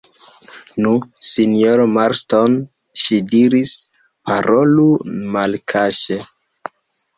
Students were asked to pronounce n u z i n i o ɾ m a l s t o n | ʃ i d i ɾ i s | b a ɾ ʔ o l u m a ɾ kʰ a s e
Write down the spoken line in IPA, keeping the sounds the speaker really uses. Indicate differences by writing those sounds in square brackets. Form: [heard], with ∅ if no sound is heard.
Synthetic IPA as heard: n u [s] i n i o ɾ m a [ɾ] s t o n | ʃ i d i ɾ i s | [p] a ɾ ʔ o l u m a [l] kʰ a [ʃ] e